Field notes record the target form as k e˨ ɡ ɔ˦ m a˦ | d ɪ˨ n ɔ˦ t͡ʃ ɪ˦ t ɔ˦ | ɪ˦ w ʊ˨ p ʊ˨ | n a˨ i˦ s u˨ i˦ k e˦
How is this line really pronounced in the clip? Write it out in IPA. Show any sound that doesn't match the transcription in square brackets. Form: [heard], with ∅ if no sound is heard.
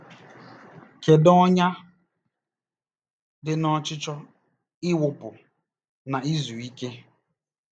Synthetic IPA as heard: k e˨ [d] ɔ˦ [ɲ] a˦ | d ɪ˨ n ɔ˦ t͡ʃ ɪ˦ [t͡ʃ] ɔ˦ | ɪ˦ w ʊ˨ p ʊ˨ | n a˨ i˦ [z] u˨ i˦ k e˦